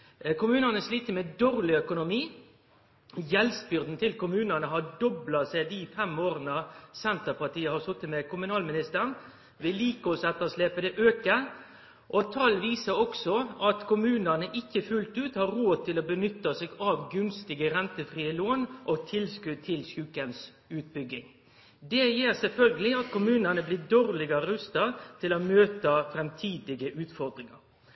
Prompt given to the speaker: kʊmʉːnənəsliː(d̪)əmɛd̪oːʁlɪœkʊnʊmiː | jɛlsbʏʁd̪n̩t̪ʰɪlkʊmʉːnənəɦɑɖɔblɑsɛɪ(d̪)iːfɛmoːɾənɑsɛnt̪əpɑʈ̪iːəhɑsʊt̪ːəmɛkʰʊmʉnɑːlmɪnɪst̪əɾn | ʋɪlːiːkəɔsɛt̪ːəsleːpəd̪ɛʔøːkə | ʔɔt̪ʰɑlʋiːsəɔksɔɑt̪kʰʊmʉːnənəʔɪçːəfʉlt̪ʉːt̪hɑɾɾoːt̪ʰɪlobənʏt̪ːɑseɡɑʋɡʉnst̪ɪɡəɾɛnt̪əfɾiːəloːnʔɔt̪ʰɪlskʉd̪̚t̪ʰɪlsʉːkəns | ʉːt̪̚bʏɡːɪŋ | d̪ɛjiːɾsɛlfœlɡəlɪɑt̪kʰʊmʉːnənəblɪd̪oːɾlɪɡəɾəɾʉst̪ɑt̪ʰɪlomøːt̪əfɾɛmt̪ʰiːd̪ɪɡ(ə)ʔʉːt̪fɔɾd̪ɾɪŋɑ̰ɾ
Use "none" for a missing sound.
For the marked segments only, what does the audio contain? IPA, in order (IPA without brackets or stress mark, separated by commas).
t̪, d̪, ə